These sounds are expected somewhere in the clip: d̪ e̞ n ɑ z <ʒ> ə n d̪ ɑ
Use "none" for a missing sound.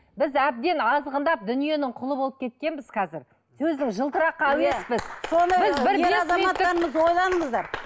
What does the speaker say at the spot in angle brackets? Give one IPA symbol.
ʁ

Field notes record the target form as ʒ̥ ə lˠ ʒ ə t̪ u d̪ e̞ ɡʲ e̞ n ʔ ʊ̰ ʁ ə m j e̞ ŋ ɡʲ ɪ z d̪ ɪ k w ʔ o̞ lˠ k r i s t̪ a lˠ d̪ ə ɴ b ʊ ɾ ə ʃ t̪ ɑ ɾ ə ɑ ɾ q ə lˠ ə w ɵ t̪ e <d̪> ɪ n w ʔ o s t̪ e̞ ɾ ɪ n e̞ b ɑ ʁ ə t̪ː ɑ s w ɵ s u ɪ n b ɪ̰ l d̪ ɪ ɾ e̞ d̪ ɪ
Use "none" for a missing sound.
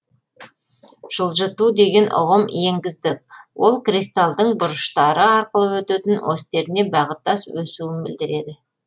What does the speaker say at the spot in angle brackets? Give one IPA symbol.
t̪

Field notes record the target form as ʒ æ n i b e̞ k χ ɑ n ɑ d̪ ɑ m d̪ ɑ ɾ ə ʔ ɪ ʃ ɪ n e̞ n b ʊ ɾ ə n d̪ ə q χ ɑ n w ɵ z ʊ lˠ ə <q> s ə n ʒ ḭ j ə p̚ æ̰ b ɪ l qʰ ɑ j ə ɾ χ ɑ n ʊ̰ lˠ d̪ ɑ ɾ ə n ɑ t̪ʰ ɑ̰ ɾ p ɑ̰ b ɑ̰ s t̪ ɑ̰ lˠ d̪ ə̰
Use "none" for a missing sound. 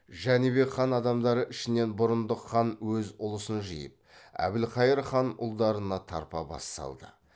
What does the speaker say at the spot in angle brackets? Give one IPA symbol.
none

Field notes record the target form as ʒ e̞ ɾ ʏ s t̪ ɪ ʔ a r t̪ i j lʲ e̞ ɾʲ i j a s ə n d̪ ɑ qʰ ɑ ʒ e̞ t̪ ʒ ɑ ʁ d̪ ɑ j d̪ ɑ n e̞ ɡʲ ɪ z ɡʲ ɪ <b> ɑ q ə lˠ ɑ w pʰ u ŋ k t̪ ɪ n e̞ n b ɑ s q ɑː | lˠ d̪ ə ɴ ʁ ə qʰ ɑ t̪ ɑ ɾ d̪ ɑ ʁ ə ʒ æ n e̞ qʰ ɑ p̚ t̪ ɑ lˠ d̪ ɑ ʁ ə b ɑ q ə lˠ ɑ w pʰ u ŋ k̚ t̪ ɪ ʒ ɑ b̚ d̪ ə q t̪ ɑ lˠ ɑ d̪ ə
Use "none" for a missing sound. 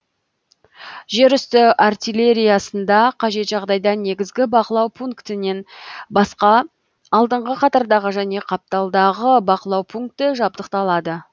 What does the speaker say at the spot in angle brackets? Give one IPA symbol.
b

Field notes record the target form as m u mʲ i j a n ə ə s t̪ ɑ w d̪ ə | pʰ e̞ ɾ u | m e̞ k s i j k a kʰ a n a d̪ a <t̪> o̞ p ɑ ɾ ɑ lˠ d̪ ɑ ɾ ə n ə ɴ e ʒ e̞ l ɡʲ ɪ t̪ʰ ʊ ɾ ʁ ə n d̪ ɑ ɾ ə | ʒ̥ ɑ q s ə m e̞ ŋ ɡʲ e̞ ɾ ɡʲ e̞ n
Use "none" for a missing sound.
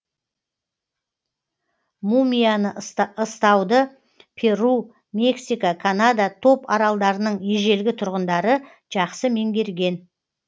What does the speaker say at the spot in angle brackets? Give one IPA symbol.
t̪ʰ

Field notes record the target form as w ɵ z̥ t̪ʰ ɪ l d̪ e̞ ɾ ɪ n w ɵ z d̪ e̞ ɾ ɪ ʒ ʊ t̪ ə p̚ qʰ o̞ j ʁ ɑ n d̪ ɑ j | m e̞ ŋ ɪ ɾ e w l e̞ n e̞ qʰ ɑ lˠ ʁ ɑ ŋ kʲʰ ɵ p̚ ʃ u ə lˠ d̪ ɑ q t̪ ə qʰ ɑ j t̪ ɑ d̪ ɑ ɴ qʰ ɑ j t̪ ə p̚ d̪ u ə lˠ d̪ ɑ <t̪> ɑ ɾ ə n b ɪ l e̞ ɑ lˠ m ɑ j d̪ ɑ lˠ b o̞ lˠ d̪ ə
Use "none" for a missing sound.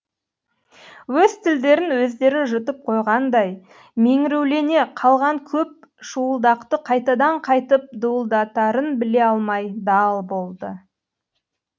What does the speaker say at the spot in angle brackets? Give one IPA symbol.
t̪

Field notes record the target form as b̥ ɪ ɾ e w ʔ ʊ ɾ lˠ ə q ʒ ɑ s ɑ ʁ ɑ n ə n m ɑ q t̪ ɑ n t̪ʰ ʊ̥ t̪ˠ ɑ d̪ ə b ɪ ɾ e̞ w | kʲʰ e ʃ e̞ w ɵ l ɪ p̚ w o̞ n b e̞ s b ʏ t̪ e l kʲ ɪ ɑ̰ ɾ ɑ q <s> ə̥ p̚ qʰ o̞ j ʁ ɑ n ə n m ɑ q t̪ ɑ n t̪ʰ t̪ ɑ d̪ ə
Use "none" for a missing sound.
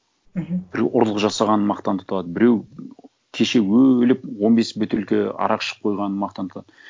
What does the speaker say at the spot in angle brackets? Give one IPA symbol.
ʃ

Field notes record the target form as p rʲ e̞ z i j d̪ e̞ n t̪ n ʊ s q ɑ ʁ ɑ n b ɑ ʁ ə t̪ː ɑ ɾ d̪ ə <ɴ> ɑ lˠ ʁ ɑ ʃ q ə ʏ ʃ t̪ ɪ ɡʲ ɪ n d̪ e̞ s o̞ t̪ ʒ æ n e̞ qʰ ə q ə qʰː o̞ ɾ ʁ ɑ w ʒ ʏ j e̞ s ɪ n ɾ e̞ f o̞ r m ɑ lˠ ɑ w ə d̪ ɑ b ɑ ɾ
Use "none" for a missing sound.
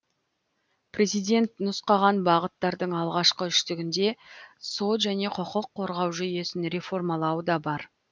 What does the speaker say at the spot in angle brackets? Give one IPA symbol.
ɴ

